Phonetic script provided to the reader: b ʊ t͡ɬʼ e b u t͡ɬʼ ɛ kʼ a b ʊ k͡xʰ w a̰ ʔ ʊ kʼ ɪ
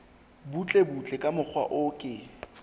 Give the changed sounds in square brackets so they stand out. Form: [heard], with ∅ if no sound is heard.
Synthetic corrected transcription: b [u] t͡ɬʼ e b u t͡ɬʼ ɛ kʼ a [m] ʊ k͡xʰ w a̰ ʔ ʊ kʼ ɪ

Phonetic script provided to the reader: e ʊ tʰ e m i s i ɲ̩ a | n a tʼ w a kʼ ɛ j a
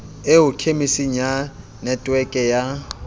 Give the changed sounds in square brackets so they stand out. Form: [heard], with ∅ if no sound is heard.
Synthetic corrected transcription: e ʊ [kʰ] e m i s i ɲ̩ a | n [ɛ] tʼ w [ɛ] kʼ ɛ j a

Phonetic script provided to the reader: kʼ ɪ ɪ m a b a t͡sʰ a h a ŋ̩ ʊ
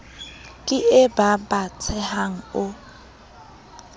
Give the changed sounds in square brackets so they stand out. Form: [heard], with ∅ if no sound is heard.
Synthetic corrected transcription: kʼ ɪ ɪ [b] a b a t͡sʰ [ɛ] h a ŋ̩ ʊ

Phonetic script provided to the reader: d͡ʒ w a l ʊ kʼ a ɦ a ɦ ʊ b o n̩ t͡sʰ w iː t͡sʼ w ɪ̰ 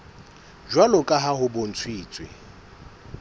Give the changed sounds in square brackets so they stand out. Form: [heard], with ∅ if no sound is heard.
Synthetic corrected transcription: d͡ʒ w a l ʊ kʼ a ɦ a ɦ ʊ b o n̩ t͡sʰ w iː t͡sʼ w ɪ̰

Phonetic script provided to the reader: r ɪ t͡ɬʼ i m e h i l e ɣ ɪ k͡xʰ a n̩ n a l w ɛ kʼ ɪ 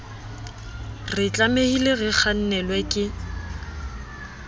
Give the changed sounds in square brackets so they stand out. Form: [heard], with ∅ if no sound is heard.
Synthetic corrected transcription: r ɪ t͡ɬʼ [a] m e h i l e ɣ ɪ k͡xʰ a n̩ n [ɛ] l w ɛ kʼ ɪ

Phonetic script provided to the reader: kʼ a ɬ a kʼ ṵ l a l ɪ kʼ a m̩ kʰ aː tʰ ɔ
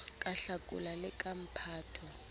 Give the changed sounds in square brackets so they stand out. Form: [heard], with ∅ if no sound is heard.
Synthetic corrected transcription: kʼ a ɬ a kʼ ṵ l a l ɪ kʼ a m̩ [pʰ] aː tʰ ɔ

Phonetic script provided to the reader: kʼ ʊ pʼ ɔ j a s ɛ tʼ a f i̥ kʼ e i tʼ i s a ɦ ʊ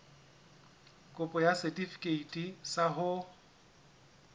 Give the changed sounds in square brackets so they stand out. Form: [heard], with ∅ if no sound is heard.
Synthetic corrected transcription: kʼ ʊ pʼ ɔ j a s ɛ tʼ [i] f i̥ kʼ e i tʼ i s a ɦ ʊ

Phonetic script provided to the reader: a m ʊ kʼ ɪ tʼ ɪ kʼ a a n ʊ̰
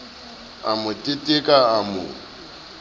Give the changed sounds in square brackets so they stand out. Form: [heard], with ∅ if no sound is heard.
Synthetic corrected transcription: a m ʊ [tʼ] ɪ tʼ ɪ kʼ a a [m] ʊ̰

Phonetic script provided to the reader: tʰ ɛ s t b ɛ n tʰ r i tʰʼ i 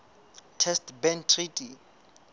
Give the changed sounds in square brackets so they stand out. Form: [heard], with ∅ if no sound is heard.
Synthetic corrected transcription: tʰ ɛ s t b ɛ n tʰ r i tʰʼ i

